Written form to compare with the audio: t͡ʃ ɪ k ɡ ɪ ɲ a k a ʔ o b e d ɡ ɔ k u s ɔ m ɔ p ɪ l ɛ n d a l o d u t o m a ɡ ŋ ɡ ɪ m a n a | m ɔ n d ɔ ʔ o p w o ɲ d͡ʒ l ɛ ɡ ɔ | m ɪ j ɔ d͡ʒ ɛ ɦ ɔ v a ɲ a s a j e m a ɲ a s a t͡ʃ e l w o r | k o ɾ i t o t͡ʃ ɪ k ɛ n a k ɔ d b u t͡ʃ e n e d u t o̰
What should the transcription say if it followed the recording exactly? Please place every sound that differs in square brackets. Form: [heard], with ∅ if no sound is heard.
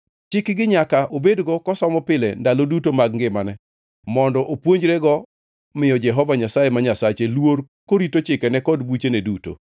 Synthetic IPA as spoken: t͡ʃ ɪ k ɡ ɪ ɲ a k a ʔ o b e d ɡ ɔ k [ɔ] s ɔ m ɔ p ɪ l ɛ n d a l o d u t o m a ɡ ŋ ɡ ɪ m a n [ɛ] | m ɔ n d ɔ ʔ o p w o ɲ d͡ʒ [ɾ] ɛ ɡ ɔ | m ɪ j ɔ d͡ʒ ɛ ɦ ɔ v a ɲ a s a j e m a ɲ a s a t͡ʃ e l w o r | k o ɾ i t o t͡ʃ ɪ k ɛ n [ɛ] k ɔ d b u t͡ʃ e n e d u t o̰